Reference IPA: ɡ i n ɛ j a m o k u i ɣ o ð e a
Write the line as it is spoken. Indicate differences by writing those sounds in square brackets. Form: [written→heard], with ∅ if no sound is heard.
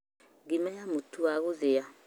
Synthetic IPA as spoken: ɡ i [n→m] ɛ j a m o [k→t] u [i→a] ɣ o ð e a